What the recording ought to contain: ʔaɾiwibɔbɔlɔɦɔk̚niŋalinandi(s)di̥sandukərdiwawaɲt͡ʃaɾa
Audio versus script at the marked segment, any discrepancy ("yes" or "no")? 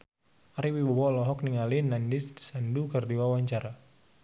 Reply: no